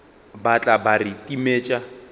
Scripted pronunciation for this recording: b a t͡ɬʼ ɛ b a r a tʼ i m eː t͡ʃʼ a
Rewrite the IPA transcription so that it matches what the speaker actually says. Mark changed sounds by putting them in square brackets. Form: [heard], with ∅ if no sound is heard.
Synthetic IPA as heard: b a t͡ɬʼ [a] b a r [i] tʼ i m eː t͡ʃʼ a